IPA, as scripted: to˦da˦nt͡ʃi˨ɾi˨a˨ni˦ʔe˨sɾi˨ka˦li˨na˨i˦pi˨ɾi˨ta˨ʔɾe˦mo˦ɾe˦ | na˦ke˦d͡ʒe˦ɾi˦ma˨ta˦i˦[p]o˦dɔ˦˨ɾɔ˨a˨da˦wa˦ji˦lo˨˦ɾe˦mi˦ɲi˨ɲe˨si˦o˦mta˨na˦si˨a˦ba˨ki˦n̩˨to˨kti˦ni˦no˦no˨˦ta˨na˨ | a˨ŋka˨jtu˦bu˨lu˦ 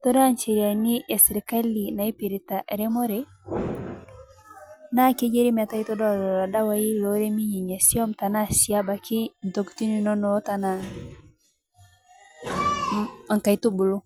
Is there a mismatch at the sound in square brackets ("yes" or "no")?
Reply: yes